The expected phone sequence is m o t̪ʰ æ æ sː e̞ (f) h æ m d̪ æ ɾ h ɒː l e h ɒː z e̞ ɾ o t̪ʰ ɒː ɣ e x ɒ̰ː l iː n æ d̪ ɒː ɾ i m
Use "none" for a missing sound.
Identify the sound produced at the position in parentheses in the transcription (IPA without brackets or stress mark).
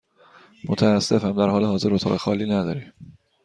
f